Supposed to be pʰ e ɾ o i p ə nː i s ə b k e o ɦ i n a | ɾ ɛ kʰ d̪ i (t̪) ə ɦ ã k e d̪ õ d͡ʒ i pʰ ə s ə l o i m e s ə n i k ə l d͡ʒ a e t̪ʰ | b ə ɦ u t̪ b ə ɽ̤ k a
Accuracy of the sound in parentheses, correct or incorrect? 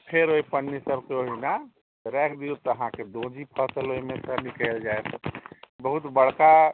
correct